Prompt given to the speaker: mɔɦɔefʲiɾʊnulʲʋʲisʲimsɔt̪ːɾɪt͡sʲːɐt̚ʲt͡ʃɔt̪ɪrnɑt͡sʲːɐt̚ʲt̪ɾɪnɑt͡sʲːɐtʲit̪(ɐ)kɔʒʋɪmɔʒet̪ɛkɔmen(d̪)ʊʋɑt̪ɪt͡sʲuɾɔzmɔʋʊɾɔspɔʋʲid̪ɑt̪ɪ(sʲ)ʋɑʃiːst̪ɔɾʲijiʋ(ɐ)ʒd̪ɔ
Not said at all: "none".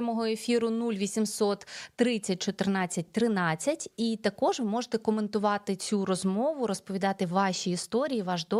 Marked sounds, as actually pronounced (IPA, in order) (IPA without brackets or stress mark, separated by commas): ɐ, t̪, none, ɑ